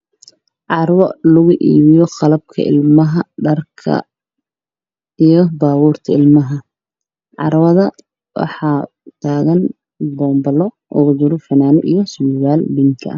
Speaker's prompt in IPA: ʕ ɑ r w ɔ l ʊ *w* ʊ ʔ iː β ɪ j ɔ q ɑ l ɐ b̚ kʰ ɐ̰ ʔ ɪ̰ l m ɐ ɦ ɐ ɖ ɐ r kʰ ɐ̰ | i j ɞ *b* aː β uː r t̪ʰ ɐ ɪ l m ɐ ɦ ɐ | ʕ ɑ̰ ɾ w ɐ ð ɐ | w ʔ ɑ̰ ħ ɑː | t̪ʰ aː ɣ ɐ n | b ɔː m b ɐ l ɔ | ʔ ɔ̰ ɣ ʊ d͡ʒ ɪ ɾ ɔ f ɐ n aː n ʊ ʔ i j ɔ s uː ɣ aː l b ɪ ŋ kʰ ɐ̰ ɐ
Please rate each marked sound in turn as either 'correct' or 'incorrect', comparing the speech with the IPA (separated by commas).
incorrect, correct